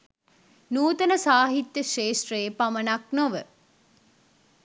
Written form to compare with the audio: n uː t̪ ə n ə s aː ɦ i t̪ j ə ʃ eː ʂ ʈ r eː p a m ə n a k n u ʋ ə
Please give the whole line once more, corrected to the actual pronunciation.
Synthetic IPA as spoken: n uː t̪ ə n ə s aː ɦ i t̪ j ə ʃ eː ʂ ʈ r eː p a m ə n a k n o ʋ ə